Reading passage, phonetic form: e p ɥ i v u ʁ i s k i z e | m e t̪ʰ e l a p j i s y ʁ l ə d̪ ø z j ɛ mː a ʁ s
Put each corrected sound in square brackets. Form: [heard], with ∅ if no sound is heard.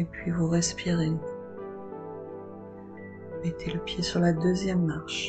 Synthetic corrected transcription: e p ɥ i v u ʁ [ɛ] s [p] i [ʁ] e | m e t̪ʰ e l [ə] p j [e] s y ʁ l [a] d̪ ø z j ɛ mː a ʁ [ʃ]